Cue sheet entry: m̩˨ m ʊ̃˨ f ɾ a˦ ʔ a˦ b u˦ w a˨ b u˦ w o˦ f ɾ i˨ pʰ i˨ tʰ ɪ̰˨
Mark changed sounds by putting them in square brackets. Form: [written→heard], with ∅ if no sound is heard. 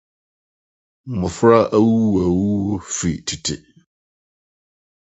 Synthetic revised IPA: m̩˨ m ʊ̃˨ f ɾ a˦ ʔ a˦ [b→w] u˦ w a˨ [b→w] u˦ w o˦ f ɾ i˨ [pʰ→tʰ] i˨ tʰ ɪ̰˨